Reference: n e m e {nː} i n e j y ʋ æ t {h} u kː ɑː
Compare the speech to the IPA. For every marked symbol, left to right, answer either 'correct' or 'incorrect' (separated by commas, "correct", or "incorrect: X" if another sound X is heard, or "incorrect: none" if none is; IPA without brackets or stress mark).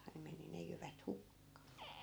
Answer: incorrect: n, correct